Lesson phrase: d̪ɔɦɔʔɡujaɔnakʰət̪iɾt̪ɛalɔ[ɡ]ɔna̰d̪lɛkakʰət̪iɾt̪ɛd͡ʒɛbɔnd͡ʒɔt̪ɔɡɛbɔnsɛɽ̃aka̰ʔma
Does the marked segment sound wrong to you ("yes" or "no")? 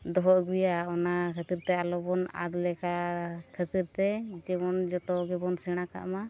yes